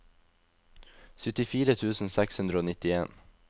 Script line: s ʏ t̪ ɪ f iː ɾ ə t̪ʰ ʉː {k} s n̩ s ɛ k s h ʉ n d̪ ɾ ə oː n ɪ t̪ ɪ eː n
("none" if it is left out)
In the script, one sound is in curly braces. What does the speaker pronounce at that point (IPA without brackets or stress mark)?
none